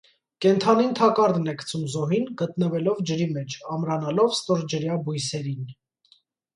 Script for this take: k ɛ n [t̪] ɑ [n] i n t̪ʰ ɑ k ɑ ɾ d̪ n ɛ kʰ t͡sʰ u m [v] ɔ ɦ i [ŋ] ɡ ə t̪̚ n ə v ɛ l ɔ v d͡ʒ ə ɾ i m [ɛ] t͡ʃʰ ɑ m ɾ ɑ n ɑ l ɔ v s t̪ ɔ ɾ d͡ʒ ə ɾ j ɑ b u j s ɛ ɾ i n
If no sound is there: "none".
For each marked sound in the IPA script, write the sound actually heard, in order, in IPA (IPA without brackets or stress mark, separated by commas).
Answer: t̪ʰ, n, z, n, ɛ